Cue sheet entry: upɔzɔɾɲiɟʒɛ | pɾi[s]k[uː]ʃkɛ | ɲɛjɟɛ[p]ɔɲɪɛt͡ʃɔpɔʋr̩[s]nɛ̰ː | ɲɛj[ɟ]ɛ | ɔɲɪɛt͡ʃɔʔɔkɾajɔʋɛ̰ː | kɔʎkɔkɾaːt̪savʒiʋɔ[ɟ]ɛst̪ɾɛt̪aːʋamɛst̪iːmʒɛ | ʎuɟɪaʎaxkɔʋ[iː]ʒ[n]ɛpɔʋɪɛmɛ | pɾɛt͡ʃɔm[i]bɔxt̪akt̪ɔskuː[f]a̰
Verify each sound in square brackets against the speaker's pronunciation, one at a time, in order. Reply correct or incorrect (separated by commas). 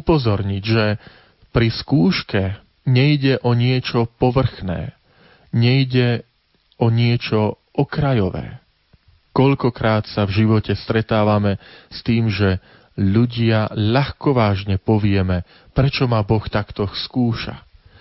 correct, correct, incorrect, incorrect, correct, incorrect, incorrect, incorrect, incorrect, incorrect